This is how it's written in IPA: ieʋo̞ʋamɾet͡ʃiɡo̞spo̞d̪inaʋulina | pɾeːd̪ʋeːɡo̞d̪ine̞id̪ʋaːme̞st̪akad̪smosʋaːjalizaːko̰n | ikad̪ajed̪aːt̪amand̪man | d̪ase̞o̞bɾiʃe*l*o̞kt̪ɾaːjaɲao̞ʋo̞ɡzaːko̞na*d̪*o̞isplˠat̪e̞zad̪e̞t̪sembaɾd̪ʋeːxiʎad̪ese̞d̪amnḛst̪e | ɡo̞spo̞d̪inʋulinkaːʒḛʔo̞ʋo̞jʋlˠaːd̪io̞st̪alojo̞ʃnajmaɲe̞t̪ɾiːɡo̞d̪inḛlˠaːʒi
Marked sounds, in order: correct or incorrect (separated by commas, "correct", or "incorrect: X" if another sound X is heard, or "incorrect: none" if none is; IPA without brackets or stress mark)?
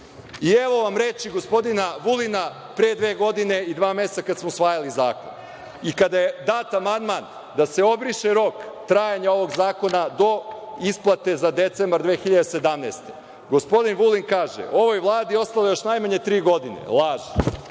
incorrect: ɾ, correct